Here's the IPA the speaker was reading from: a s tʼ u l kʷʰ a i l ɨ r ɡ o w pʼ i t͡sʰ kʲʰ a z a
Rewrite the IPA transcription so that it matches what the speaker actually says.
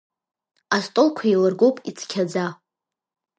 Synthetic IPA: a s tʼ o l kʷʰ a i l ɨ r ɡ o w pʼ i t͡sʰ kʲʰ a d͡z a